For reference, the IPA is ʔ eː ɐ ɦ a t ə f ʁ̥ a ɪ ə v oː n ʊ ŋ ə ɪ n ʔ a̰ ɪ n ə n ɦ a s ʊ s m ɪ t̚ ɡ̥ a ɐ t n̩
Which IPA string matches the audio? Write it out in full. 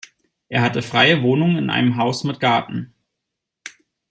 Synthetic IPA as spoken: ʔ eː ɐ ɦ a t ə f ʁ̥ a ɪ ə v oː n ʊ ŋ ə ɪ n ʔ a̰ ɪ n ə m ɦ a ʊ s m ɪ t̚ ɡ̥ a ɐ t n̩